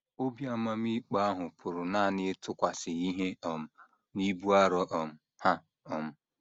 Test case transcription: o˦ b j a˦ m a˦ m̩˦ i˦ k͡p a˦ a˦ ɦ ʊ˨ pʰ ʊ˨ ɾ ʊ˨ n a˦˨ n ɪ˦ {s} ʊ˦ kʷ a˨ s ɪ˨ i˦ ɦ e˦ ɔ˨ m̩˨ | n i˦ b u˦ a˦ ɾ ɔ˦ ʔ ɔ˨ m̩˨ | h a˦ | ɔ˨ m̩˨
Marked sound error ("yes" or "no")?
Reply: yes